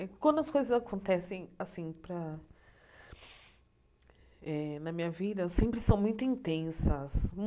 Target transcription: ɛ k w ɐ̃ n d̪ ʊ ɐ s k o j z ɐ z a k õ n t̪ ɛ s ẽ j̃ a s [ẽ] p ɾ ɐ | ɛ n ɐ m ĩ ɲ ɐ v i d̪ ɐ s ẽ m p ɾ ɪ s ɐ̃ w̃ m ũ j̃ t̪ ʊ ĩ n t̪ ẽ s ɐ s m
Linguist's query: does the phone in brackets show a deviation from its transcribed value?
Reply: yes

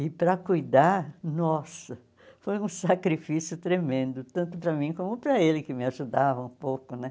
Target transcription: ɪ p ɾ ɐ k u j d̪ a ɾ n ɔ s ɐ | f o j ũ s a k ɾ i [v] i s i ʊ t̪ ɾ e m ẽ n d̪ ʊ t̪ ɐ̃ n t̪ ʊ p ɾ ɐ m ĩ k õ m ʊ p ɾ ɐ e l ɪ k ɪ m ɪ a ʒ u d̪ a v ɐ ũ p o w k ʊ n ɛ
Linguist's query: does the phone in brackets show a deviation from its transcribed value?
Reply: yes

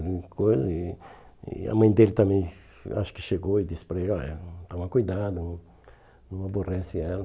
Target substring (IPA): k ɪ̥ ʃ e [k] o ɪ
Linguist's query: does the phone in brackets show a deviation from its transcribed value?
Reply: yes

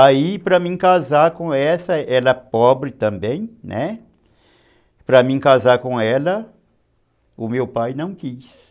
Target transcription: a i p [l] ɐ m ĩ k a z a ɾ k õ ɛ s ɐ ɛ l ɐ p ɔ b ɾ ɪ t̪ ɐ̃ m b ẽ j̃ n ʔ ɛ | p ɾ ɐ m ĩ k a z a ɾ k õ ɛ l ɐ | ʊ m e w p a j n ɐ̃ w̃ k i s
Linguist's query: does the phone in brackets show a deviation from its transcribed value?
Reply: yes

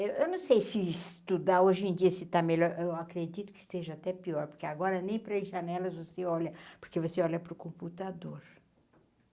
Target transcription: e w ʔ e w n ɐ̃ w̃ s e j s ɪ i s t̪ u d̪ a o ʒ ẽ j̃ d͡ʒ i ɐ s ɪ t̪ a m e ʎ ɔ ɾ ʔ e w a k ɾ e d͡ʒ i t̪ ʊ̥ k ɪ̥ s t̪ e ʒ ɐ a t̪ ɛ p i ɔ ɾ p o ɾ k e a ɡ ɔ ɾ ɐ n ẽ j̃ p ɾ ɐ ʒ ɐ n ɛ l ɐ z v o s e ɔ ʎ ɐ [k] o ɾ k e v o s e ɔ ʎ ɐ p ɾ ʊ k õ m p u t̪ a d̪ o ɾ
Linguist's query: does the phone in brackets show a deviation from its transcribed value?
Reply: yes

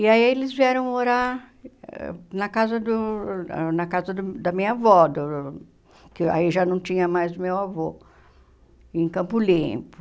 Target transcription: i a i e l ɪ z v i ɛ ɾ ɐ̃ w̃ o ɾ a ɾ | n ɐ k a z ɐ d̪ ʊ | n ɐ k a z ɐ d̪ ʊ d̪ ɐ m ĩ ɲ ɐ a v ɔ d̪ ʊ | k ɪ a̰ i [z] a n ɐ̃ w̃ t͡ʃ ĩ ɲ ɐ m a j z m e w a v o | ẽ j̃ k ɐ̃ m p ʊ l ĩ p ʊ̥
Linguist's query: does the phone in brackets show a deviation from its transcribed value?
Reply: yes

